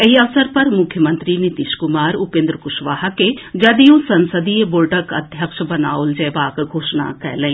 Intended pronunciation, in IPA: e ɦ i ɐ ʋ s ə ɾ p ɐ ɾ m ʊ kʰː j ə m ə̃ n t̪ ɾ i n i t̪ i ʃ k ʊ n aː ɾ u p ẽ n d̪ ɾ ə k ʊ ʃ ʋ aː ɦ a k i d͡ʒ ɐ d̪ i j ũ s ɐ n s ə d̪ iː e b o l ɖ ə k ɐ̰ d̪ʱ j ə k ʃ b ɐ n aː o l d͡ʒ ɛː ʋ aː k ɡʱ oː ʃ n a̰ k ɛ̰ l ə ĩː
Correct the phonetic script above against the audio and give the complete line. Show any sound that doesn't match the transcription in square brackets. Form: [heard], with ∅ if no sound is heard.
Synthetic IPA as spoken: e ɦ i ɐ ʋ s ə ɾ p ɐ ɾ m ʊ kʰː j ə m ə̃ n t̪ ɾ i n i t̪ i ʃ k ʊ [m] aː ɾ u p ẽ n d̪ ɾ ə k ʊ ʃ ʋ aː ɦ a k [e] d͡ʒ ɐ d̪ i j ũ s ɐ n s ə d̪ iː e b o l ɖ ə k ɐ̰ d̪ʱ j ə k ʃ b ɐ n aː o l d͡ʒ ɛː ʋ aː k ɡʱ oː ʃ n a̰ k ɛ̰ l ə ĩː

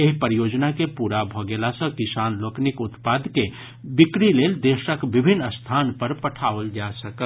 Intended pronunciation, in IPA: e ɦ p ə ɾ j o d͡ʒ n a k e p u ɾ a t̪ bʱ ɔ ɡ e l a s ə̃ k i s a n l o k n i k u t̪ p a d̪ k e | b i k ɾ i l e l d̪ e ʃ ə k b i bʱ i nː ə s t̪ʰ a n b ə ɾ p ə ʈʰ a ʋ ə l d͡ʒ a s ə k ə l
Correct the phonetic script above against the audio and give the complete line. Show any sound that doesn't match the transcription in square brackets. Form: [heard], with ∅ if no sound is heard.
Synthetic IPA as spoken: e ɦ p ə ɾ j o d͡ʒ n a k e p u ɾ a [∅] bʱ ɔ ɡ e l a s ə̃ k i s a n l o k n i k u t̪ p a d̪ k e | b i k ɾ i l e l d̪ e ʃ ə k b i bʱ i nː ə s t̪ʰ a n [p] ə ɾ p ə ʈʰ a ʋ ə l d͡ʒ a s ə k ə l

